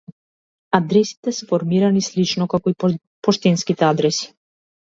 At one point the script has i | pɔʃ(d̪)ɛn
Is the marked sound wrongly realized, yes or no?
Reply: yes